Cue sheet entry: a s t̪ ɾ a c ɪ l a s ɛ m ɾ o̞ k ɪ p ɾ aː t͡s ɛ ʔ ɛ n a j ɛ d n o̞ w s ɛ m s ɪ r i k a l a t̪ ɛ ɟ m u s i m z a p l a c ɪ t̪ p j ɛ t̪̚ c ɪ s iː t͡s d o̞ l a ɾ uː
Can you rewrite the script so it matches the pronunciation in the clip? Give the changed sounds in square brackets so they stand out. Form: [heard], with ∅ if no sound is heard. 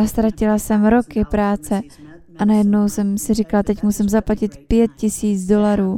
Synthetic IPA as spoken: a s t̪ ɾ a c ɪ l a s ɛ m ɾ o̞ k ɪ p ɾ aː t͡s ɛ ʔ [a] n a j ɛ d n o̞ w s ɛ m s ɪ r i k a l a t̪ ɛ [c] m u s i m z a p l a c ɪ t̪ p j ɛ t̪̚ c ɪ s iː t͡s d o̞ l a ɾ uː